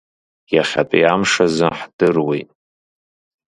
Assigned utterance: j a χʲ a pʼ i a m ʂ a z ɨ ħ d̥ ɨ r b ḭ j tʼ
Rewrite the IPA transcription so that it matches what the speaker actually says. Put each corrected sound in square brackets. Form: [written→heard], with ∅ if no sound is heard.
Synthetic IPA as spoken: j a χʲ a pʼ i a m ʂ a z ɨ ħ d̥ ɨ r [b→w] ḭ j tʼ

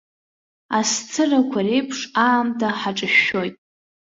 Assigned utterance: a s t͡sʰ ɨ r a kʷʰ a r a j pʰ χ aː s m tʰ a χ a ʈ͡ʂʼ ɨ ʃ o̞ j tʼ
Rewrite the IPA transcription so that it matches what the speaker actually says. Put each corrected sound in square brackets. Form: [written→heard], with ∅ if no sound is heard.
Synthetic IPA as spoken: a s t͡sʰ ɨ r a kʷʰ a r [a→e] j pʰ [χ→ʂ] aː [s→∅] m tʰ a [χ→ħ] a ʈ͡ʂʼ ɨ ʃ o̞ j tʼ

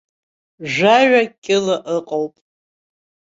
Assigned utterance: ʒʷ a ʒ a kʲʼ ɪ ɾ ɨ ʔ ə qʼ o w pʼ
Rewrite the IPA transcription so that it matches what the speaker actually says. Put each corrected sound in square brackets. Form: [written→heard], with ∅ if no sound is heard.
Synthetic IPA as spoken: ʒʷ a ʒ a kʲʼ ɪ [ɾ→l] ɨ ʔ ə qʼ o w pʼ

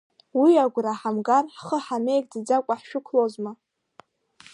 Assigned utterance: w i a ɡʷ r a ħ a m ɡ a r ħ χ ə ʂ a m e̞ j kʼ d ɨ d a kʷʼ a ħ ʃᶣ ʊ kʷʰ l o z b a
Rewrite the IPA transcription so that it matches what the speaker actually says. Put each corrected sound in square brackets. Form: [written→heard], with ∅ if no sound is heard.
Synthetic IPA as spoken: w i a ɡʷ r a ħ a m ɡ a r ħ χ ə [ʂ→ħ] a m e̞ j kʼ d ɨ [d→d͡z] a kʷʼ a ħ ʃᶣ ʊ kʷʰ l o z [b→m] a

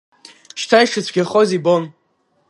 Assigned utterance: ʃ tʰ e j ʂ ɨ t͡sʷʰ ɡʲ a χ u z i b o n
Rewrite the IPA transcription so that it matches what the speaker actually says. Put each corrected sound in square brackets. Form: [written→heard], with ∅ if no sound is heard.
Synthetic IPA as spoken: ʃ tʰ [e→a] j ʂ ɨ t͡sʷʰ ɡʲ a χ [u→o] z i b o n

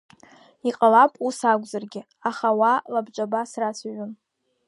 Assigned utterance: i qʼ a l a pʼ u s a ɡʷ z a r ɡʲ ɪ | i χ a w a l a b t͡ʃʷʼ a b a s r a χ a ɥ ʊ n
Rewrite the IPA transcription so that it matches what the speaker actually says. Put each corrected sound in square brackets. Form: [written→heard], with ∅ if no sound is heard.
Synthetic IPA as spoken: i qʼ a l a pʼ u s a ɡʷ z a r ɡʲ ɪ | [i→a] χ a w a l a b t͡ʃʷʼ a b a s r a [χ→s] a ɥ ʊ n

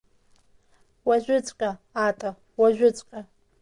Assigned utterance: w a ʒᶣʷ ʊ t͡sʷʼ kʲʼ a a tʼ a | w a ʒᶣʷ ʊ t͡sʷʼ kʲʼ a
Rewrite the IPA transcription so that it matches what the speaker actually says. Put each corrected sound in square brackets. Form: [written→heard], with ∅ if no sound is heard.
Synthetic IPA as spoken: w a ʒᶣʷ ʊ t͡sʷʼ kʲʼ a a tʼ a | w a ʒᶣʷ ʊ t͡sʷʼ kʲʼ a

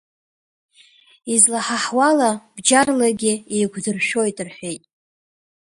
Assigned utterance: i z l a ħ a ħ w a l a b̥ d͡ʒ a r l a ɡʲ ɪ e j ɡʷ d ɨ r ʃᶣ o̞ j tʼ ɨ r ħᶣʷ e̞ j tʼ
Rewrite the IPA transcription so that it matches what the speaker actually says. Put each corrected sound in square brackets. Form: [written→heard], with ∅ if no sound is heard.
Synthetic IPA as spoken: i z l a ħ a ħ w a l a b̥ d͡ʒ a r l a ɡʲ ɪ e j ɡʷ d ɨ r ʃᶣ o̞ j tʼ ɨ r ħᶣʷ e̞ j tʼ

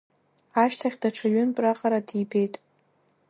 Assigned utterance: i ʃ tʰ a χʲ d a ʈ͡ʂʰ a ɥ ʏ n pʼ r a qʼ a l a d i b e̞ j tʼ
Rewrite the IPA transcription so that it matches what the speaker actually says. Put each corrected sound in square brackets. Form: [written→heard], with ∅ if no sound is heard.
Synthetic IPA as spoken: [i→a] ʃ tʰ a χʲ d a ʈ͡ʂʰ a ɥ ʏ n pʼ r a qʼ a [l→ɾ] a d i b e̞ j tʼ

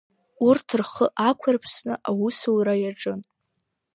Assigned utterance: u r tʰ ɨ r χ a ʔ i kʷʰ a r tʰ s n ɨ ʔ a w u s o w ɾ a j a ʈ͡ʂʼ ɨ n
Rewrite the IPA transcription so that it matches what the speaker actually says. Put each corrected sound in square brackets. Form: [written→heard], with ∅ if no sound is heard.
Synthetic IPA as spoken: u r tʰ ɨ r χ [a→ə] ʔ [i→a] kʷʰ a r [tʰ→pʰ] s n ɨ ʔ a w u s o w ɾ a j a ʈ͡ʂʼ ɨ n

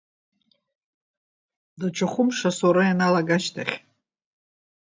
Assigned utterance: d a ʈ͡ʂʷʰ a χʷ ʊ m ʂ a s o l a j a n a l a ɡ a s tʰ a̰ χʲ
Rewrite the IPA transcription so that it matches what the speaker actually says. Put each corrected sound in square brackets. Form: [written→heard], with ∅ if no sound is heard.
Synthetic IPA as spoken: d a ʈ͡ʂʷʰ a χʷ ʊ m ʂ a s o [l→ɾ] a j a n a l a ɡ a [s→ʃ] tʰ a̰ χʲ

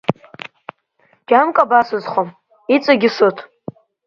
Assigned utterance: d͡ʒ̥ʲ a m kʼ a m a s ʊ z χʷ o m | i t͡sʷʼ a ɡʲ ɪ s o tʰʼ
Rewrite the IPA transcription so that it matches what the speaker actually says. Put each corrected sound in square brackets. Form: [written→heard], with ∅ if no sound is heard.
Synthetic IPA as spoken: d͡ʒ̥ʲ a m kʼ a [m→b] a s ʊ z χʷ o m | i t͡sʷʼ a ɡʲ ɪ s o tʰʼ

